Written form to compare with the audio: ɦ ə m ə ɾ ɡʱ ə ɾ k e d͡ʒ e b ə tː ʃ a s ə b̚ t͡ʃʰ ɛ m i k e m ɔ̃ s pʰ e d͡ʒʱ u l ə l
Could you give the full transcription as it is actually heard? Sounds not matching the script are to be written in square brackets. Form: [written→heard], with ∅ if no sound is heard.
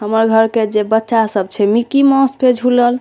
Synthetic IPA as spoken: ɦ ə m ə ɾ ɡʱ ə ɾ k e d͡ʒ e b ə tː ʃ a s ə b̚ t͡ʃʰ ɛ m i k [e→i] m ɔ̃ s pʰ e d͡ʒʱ u l ə l